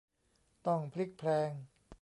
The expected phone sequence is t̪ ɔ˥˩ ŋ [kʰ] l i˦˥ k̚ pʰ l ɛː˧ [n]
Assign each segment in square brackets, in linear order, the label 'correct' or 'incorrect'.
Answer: incorrect: pʰ, incorrect: ŋ

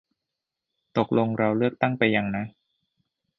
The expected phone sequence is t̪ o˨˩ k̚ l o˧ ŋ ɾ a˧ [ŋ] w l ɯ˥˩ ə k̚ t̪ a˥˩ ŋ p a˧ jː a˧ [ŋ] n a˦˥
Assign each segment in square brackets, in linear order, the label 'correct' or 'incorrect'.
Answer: incorrect: none, correct

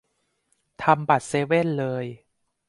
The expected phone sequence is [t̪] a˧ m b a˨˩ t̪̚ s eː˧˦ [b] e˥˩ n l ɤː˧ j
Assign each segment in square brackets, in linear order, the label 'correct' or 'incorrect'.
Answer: incorrect: t̪ʰ, incorrect: w

